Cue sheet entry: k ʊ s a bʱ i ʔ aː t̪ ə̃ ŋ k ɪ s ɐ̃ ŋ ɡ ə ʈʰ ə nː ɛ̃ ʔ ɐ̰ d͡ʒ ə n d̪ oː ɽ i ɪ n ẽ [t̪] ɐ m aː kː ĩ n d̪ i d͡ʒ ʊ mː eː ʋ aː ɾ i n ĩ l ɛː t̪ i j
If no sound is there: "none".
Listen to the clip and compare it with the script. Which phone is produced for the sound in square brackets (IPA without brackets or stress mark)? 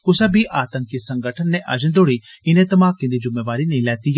t̪